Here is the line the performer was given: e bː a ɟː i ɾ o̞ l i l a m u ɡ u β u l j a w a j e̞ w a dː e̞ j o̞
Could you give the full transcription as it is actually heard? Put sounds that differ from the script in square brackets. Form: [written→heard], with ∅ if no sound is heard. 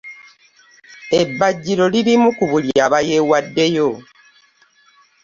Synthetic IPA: e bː a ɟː i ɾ o̞ l i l [a→i] m u [ɡ→k] u β u l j a [w→β] a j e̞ w a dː e̞ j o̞